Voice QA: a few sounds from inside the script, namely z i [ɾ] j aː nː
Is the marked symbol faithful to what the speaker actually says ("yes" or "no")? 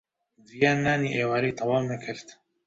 no